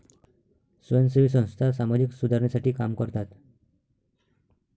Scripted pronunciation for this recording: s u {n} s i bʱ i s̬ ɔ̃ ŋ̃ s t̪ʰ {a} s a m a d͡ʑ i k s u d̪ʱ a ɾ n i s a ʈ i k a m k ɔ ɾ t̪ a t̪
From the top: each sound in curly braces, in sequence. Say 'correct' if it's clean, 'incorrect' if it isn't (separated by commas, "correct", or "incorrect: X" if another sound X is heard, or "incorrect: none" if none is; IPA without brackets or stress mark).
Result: correct, correct